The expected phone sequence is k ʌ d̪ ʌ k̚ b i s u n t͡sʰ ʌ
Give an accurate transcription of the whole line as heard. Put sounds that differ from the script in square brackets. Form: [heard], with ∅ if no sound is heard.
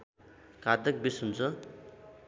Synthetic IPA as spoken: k [a] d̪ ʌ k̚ b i s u n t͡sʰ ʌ